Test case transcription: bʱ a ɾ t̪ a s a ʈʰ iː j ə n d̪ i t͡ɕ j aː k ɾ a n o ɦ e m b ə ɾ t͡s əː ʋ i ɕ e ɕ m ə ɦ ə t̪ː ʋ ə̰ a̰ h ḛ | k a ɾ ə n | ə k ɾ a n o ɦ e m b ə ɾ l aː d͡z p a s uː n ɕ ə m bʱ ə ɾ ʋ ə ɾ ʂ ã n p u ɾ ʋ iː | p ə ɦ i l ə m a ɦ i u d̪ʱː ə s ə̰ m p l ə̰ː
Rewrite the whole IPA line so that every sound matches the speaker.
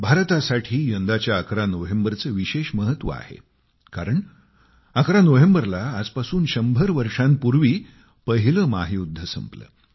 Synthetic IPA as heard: bʱ a ɾ t̪ a s a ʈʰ iː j ə n d̪ a t͡ɕ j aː k ɾ a n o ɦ e m b ə ɾ t͡s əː ʋ i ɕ e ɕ m ə ɦ ə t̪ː ʋ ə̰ a̰ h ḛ | k a ɾ ə ɳ | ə k ɾ a n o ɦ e m b ə ɾ l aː d͡z p a s uː n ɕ ə m bʱ ə ɾ ʋ ə ɾ ʂ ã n p u ɾ ʋ iː | p ə ɦ i l ə m a ɦ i u d̪ʱː ə s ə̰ m p l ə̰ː